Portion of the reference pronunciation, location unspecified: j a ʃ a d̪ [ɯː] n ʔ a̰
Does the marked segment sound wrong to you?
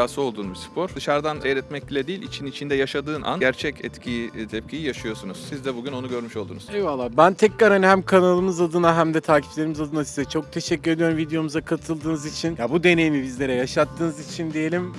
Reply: no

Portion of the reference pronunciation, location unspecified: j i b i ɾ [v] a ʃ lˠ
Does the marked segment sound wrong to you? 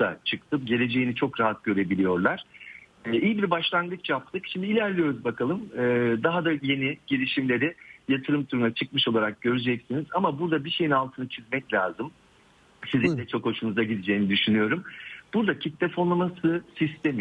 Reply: yes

